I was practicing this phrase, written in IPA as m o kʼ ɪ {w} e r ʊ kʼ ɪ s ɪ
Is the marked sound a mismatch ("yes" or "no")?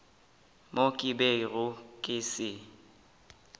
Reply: yes